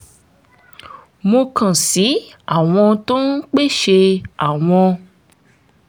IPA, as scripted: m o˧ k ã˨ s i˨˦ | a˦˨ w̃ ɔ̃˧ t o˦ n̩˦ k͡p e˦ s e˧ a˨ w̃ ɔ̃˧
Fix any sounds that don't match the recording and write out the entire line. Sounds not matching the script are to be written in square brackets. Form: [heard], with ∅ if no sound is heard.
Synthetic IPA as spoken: m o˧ k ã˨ s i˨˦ | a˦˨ w̃ ɔ̃˧ t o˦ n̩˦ k͡p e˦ [ʃ] e˧ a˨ w̃ ɔ̃˧